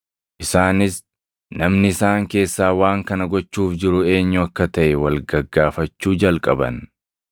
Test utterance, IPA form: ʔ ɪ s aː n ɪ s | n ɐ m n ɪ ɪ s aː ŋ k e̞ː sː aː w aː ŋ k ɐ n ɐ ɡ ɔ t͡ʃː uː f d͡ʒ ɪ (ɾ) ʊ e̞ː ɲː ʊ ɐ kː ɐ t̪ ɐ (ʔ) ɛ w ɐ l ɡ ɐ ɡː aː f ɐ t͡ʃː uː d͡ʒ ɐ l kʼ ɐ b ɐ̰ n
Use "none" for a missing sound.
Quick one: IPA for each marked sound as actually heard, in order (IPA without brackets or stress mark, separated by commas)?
ɾ, ʔ